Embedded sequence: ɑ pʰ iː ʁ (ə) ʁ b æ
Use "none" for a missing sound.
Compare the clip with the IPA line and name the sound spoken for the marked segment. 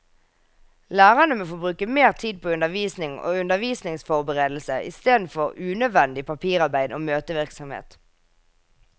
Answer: ɑ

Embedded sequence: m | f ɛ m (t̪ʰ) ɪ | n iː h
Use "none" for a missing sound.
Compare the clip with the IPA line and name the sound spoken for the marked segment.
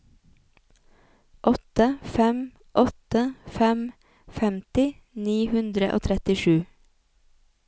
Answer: t̪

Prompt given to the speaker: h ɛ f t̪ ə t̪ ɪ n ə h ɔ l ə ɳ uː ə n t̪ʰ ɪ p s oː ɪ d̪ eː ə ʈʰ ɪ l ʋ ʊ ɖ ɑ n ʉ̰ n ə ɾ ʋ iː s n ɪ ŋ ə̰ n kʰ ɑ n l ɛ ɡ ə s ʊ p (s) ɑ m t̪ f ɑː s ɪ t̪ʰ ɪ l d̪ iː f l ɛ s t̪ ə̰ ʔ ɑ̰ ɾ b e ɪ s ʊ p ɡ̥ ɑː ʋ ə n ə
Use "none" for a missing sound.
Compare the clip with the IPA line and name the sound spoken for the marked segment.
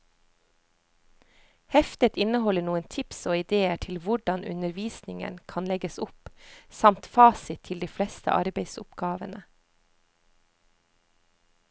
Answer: s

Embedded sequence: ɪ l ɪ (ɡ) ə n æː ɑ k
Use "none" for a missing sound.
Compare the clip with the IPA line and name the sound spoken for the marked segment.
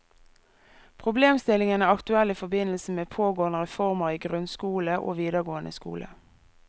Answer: ŋ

